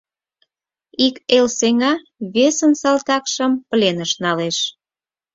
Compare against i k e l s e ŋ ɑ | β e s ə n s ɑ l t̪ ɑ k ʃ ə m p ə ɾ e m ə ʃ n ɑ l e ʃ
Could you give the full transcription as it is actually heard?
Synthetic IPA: i k e l s e ŋ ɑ | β e s ə n s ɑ l t̪ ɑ k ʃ ə m p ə l e n ə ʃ n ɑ l e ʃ